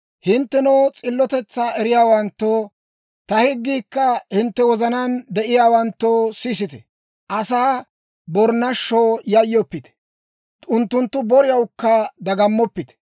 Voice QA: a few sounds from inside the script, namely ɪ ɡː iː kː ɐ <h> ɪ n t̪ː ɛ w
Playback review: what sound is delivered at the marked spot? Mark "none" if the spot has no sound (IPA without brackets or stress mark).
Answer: h